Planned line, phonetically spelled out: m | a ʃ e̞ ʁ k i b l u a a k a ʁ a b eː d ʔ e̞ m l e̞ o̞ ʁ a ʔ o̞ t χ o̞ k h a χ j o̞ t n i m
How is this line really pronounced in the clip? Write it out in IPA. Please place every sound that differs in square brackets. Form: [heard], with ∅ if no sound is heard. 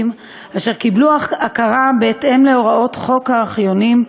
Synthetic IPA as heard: m | a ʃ e̞ ʁ k i b l u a a k a ʁ a b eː [t] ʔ e̞ m l e̞ o̞ ʁ a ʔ o̞ t χ o̞ k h a χ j o̞ [∅] n i m